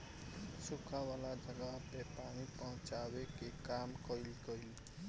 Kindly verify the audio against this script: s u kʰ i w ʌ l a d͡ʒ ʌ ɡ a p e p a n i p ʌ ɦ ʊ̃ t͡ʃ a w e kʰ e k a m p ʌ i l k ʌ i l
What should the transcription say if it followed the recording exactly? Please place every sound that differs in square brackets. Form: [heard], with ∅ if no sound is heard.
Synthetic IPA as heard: s u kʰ [a] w [a] l a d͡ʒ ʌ ɡ a p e p a n i p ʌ ɦ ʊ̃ t͡ʃ a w e [k] e k a m [k] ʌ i l k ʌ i l